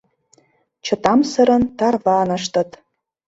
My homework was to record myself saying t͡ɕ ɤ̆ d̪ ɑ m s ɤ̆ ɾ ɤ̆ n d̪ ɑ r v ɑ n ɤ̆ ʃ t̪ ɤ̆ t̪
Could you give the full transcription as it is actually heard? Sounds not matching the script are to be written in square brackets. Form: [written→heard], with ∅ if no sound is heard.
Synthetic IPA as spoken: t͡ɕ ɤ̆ [d̪→t̪] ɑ m s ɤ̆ ɾ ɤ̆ n [d̪→t̪] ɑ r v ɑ n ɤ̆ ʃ t̪ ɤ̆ t̪